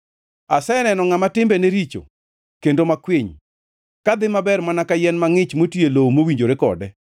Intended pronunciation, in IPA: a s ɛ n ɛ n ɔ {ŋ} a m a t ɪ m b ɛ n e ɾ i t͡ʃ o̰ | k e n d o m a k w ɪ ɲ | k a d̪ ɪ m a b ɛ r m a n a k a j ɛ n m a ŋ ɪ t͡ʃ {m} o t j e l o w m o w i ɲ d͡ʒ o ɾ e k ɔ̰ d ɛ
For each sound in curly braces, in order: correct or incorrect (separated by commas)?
correct, correct